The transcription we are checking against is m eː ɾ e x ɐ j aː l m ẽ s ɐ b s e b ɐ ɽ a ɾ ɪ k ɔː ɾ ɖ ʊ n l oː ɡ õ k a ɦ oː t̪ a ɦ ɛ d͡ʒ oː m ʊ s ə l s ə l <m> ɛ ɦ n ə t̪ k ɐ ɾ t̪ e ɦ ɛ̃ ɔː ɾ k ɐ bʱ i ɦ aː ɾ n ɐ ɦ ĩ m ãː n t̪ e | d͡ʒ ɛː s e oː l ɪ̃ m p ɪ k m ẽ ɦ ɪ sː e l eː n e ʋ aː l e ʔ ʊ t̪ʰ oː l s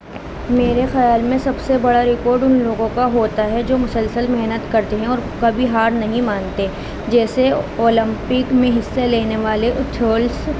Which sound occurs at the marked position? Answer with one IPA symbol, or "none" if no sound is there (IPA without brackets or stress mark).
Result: m